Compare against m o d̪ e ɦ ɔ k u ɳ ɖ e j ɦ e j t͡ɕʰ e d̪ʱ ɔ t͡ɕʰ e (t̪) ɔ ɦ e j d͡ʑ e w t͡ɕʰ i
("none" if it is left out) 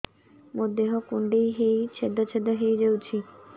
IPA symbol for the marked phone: d̪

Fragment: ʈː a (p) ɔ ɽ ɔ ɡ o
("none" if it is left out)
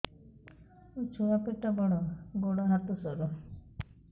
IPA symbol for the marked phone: b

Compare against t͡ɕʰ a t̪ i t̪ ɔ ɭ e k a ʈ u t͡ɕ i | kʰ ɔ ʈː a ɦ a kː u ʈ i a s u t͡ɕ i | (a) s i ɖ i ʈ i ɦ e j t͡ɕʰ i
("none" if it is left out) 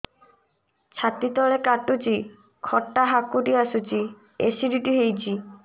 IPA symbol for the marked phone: e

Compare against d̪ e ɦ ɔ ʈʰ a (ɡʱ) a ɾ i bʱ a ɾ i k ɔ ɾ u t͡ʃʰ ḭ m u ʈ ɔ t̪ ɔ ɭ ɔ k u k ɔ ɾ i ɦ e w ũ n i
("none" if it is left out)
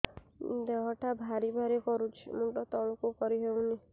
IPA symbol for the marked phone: bʱ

